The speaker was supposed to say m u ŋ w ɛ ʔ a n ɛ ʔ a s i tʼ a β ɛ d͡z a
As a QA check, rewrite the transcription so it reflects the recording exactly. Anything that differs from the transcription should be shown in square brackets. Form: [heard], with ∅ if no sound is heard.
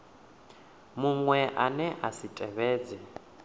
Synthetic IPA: m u ŋ w ɛ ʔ a n ɛ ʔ a s i tʼ [ɛ] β [ɛː] d͡z [ɛ]